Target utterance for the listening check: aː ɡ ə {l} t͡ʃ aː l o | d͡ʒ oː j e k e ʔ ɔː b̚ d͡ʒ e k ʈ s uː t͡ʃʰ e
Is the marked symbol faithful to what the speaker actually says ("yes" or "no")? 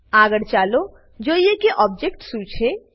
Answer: no